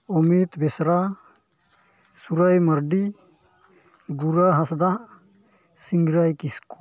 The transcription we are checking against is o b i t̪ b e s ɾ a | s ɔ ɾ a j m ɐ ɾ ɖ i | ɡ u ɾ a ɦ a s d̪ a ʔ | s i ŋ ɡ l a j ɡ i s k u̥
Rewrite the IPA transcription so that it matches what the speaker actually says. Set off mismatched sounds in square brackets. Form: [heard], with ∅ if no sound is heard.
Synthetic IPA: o [m] i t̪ b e s ɾ a | s [u] ɾ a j m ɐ ɾ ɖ i | ɡ u ɾ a ɦ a s d̪ a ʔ | s i ŋ ɡ [ɾ] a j [k] i s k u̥